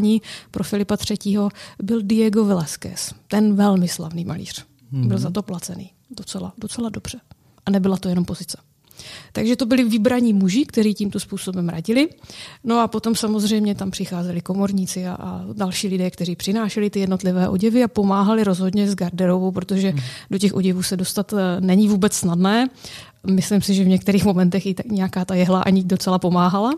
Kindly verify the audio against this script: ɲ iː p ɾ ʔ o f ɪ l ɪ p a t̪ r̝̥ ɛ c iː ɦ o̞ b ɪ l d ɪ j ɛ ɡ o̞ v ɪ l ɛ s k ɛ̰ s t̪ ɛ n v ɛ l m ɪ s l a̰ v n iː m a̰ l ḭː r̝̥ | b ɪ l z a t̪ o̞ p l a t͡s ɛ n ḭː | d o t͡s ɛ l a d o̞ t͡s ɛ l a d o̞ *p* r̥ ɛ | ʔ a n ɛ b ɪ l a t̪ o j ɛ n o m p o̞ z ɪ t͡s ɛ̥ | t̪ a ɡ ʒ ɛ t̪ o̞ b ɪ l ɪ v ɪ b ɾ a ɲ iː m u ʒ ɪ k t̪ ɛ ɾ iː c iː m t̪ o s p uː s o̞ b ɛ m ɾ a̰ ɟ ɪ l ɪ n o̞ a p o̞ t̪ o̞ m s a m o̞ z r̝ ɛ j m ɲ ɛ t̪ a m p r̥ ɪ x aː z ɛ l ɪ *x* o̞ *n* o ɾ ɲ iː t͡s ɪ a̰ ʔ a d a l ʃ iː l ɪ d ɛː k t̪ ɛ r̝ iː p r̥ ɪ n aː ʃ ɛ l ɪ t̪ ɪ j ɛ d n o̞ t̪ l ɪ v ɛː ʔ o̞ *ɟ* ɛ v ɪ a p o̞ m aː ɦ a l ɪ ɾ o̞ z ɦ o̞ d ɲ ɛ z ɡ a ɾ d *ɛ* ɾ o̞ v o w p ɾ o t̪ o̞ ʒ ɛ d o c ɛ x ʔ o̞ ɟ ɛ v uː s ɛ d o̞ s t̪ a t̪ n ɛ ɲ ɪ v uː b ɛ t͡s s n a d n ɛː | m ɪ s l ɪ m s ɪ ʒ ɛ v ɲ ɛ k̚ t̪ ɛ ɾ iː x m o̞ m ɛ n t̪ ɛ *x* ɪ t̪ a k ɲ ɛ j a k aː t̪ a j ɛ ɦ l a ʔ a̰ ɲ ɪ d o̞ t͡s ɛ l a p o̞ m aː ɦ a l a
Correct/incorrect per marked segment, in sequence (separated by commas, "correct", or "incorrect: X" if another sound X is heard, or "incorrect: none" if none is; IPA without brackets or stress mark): incorrect: b, incorrect: k, incorrect: m, correct, correct, correct